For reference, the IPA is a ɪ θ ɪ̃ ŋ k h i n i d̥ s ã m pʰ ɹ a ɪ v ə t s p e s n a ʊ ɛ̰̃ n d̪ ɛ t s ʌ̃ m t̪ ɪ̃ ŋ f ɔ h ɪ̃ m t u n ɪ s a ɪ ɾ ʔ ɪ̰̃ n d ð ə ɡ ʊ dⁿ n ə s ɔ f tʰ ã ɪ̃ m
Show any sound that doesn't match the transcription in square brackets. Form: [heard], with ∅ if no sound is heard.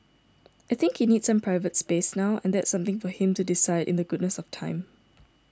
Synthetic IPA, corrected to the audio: a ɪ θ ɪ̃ ŋ k h i n i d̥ s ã m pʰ ɹ a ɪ v ə t s p e s n a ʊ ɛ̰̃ n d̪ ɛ t s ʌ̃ m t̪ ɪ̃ ŋ f ɔ h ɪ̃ m t u [d] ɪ s a ɪ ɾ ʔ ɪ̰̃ n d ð ə ɡ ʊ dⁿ n ə s ɔ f tʰ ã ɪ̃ m